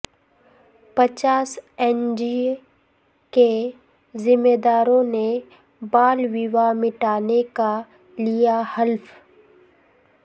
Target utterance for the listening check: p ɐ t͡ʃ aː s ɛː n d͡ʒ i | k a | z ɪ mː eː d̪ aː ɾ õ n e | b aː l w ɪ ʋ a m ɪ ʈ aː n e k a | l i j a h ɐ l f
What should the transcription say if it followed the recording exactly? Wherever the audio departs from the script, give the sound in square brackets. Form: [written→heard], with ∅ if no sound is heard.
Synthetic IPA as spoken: p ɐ t͡ʃ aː s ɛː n d͡ʒ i | k [a→e] | z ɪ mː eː d̪ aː ɾ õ n e | b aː l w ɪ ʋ a m ɪ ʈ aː n e k a | l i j a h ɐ l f